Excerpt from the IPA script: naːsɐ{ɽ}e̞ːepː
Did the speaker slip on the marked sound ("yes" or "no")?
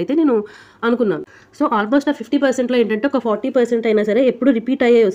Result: yes